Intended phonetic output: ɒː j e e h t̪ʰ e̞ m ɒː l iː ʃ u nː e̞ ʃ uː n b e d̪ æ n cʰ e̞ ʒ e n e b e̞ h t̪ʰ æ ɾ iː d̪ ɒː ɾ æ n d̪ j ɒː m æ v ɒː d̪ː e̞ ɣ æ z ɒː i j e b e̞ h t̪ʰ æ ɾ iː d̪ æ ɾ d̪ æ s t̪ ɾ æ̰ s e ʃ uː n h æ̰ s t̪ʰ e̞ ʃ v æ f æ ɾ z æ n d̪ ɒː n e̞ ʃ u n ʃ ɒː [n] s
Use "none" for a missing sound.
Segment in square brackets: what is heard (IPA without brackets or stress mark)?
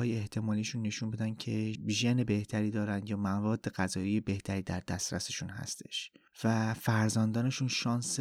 n